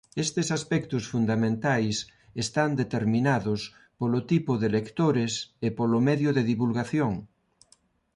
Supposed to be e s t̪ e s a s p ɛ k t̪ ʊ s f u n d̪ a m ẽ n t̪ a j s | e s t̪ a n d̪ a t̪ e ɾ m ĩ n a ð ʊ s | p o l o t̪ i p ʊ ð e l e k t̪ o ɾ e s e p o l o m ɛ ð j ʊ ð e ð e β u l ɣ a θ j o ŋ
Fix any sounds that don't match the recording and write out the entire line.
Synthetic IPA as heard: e s t̪ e s a s p ɛ k t̪ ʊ s f u n d̪ a m ẽ n t̪ a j s | e s t̪ a n d̪ e t̪ e ɾ m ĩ n a ð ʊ s | p o l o t̪ i p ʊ ð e l e k t̪ o ɾ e s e p o l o m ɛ ð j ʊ ð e ð i β u l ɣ a θ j o ŋ